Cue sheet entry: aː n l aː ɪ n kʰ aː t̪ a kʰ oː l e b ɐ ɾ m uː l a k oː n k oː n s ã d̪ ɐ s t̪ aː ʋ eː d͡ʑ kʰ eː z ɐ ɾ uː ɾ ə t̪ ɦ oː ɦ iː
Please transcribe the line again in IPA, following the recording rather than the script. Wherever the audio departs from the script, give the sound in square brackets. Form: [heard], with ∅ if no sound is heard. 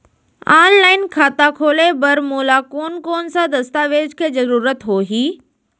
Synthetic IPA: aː n l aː ɪ n kʰ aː t̪ a kʰ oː l e b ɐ ɾ m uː l a k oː n k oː n s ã d̪ ɐ s t̪ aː ʋ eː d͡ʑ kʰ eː z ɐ ɾ uː ɾ ə t̪ ɦ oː ɦ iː